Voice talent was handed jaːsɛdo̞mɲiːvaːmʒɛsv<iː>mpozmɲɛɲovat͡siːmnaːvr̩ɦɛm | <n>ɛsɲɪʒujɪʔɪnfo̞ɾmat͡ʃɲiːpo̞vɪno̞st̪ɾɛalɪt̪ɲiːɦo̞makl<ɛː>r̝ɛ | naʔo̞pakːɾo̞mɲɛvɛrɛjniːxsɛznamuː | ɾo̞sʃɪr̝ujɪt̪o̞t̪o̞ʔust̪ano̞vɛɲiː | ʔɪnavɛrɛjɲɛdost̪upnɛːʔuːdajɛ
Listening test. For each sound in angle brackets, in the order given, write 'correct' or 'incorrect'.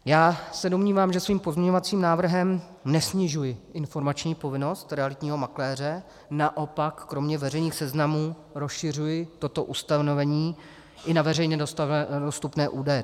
correct, correct, correct

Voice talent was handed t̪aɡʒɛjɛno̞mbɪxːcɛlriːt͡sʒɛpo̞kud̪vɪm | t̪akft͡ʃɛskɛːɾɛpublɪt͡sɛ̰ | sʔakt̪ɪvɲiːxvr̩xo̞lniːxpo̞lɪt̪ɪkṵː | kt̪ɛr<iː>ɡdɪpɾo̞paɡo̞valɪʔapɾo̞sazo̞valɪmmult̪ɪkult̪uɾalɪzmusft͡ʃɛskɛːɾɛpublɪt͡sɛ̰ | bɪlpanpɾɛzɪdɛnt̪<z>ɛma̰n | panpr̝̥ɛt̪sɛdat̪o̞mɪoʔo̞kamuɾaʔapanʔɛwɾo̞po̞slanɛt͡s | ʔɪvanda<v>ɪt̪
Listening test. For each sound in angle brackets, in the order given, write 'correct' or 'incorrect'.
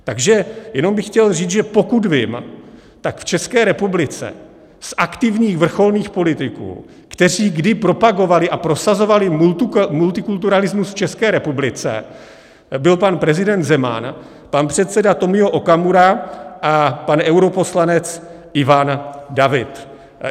correct, correct, correct

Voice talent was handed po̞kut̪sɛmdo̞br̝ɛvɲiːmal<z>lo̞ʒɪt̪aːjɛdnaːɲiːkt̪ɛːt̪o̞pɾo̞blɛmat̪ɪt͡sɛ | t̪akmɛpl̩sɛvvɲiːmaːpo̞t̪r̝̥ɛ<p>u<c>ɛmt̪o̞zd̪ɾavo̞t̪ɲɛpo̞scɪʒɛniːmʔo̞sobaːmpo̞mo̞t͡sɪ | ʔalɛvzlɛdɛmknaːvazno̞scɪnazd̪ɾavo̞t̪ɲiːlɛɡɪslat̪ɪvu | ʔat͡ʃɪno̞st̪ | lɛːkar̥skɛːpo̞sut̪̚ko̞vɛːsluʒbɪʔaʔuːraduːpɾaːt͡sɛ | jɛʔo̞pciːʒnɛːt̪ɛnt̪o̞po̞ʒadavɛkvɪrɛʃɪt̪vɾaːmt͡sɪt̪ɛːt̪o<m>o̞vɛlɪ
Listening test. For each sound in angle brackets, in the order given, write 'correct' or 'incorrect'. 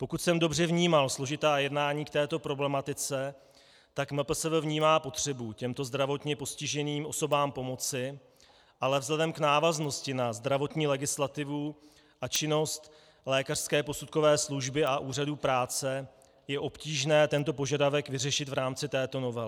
incorrect: s, incorrect: b, correct, incorrect: n

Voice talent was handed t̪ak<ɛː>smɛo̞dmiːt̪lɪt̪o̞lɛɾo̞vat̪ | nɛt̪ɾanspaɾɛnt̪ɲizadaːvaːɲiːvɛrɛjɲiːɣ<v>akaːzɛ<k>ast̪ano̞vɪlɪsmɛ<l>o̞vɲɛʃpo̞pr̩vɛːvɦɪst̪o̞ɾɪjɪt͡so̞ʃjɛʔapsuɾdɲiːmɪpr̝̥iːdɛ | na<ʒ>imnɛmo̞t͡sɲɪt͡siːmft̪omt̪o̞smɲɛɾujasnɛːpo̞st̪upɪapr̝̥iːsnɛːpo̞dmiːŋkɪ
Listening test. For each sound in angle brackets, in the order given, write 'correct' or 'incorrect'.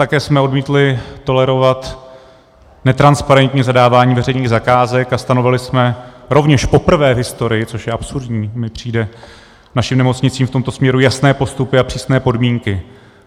correct, incorrect: z, correct, incorrect: ɾ, incorrect: ʃ

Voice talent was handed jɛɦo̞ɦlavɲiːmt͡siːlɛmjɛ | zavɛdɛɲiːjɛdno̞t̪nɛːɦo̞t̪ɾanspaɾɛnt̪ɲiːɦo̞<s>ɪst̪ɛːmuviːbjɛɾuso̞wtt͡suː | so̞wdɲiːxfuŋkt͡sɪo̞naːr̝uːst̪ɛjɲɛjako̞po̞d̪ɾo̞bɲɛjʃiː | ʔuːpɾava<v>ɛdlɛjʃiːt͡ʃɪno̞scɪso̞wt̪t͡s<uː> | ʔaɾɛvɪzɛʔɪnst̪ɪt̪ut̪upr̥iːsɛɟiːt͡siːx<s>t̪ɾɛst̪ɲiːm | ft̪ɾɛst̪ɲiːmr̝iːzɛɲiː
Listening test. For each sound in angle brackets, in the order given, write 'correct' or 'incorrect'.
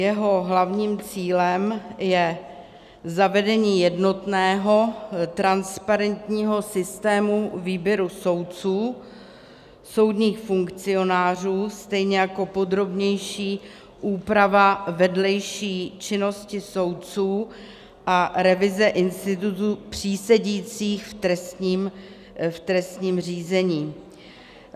correct, correct, correct, incorrect: f

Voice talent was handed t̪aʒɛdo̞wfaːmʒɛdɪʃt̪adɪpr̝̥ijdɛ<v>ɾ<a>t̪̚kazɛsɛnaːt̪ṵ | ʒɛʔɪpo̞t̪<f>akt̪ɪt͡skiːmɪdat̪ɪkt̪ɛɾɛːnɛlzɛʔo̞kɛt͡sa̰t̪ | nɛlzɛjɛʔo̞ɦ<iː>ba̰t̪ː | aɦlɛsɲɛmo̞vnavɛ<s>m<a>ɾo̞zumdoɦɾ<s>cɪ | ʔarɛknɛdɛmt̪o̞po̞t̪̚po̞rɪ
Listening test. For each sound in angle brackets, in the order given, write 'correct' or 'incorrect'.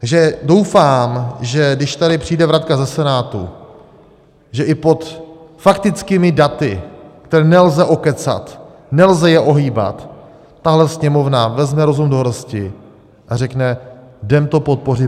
correct, correct, correct, correct, incorrect: z, incorrect: ɛ, correct

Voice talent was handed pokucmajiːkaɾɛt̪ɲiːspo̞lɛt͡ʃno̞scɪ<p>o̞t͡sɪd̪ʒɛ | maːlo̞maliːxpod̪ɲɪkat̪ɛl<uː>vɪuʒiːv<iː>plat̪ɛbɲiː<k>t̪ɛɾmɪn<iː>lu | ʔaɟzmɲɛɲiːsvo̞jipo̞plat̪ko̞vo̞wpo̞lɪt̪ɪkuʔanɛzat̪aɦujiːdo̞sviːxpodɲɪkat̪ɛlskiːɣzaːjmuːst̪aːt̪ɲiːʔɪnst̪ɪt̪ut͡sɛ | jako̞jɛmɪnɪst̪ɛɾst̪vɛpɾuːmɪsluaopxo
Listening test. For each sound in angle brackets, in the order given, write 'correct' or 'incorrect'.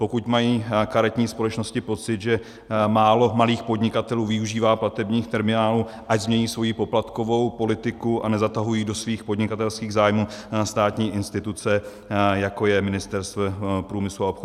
correct, correct, incorrect: aː, incorrect: x, incorrect: aː

